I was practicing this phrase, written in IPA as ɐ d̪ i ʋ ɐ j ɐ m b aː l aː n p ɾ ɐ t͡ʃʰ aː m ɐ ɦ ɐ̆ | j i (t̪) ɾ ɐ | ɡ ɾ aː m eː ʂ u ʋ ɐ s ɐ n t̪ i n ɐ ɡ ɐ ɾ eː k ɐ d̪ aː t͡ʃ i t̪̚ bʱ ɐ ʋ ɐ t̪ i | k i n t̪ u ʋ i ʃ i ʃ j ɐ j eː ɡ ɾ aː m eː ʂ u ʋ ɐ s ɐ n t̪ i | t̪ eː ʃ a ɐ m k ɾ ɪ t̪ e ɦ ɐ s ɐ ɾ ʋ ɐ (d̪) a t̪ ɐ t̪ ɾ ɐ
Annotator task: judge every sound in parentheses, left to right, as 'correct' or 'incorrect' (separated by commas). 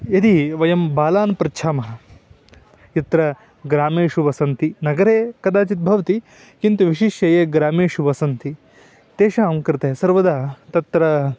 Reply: correct, correct